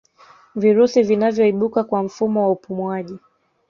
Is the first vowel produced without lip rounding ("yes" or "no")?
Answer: yes